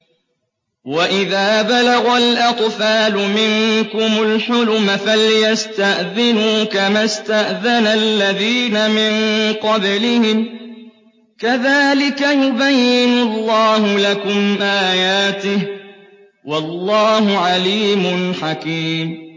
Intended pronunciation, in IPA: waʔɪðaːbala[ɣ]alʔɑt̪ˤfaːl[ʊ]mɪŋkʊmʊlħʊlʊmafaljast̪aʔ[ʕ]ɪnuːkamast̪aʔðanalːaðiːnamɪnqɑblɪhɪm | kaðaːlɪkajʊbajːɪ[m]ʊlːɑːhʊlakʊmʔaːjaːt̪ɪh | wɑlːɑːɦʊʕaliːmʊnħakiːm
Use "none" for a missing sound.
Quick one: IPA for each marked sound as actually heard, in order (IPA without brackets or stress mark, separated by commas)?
ɣ, ʊ, ð, n